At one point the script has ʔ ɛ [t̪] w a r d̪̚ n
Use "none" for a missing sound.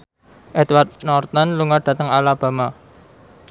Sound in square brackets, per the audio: t̪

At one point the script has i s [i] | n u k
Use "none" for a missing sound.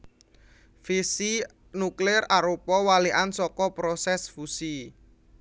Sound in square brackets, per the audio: i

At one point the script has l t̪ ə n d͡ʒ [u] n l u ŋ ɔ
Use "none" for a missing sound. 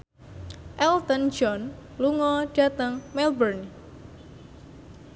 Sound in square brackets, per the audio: ɔ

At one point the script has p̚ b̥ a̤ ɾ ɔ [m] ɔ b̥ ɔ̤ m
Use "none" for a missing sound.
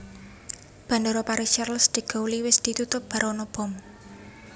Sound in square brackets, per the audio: n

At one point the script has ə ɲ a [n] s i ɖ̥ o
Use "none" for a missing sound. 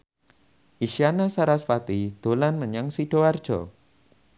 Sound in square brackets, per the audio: ŋ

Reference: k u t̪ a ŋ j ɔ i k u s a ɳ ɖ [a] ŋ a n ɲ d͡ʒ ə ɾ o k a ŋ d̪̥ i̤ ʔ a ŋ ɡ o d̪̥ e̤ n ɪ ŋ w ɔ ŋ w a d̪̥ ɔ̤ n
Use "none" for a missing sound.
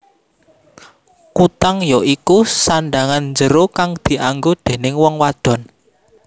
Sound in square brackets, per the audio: a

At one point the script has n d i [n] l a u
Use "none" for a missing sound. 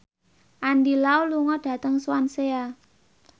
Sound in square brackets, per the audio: none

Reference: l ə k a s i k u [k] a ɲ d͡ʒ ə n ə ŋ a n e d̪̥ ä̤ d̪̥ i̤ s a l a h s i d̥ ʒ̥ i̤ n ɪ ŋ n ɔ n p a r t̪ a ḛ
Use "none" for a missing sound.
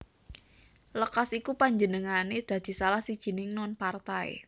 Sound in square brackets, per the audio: p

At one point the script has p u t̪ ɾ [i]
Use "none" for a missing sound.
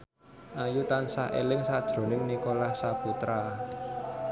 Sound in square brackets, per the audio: a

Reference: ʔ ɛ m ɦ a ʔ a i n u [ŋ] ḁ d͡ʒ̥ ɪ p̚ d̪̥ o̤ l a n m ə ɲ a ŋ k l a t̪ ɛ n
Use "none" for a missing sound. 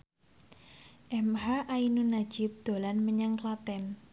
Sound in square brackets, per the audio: n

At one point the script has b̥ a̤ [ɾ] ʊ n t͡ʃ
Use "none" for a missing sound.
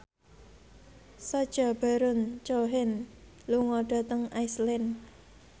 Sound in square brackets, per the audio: ɾ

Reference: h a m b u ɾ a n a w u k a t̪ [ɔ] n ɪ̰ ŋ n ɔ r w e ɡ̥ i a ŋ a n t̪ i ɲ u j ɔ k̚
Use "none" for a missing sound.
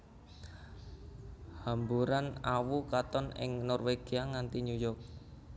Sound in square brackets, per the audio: ɔ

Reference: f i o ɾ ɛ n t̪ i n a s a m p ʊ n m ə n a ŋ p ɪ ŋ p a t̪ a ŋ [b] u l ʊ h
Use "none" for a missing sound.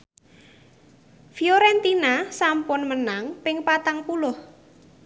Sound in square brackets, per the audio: p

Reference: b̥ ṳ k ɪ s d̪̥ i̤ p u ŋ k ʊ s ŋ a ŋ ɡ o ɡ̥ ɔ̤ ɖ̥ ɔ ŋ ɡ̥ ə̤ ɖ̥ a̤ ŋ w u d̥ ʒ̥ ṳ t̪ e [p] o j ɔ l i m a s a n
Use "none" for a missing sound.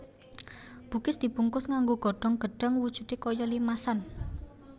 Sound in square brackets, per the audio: k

